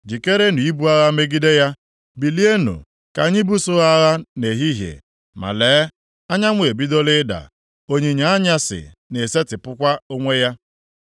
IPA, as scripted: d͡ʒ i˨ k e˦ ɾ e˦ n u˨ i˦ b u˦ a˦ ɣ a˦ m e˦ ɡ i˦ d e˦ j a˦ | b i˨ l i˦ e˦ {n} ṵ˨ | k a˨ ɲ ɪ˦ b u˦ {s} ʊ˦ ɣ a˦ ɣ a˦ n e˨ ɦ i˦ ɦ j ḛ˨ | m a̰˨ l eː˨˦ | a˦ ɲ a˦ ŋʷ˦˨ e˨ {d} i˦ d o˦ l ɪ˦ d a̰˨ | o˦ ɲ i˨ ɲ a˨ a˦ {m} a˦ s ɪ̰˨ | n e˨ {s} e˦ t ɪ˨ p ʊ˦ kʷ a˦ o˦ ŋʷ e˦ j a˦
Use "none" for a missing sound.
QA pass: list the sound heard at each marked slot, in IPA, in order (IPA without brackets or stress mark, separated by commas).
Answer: n, s, b, ɲ, s